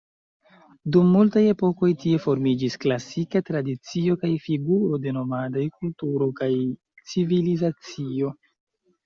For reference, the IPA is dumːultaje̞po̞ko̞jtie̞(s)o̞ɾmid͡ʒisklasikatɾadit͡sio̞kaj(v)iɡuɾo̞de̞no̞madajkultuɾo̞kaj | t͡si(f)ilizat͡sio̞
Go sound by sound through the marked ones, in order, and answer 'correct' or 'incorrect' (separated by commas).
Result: incorrect, incorrect, incorrect